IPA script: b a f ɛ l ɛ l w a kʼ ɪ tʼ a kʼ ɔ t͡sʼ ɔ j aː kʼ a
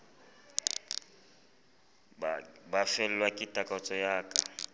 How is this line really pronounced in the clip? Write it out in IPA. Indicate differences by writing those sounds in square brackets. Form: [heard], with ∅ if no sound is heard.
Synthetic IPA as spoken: b a f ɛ l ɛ l w a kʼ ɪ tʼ a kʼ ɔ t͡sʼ ɔ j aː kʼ a